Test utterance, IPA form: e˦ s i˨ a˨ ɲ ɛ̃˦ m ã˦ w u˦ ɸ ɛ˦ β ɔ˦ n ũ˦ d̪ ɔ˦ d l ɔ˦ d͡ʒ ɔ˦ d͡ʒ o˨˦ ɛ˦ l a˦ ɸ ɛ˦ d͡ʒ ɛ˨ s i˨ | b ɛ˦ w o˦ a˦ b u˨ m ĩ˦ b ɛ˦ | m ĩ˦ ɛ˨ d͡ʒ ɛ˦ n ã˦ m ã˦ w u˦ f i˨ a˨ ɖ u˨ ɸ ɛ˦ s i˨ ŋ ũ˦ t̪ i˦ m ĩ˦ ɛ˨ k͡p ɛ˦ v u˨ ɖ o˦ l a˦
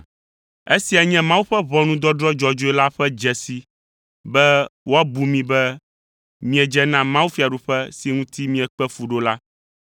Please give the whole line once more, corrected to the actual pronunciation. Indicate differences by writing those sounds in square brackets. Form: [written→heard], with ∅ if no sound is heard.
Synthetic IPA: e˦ s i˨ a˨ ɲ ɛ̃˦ m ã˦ w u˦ ɸ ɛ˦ β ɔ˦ n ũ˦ d̪ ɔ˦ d [l→ɾ] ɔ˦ d͡ʒ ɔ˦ d͡ʒ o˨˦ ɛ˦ l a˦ ɸ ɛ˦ d͡ʒ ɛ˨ s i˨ | b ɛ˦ w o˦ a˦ b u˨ m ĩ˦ b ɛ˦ | m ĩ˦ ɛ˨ d͡ʒ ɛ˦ n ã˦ m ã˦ w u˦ f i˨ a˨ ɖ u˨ ɸ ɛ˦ s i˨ ŋ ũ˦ t̪ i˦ m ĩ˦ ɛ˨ k͡p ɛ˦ [v→f] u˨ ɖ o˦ l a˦